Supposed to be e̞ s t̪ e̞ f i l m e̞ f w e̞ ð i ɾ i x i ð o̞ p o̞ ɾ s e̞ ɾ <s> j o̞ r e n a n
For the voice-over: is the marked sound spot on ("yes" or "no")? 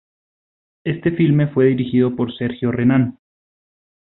no